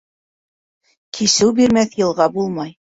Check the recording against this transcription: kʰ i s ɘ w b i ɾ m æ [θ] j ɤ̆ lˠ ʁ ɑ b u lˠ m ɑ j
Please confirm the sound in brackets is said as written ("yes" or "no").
yes